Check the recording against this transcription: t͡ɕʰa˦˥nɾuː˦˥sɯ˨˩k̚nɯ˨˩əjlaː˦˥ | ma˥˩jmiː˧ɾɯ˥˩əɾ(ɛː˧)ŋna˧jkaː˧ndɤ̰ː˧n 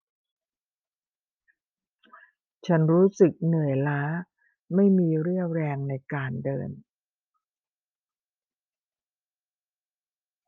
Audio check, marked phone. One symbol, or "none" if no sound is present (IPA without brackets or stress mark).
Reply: ɛː˧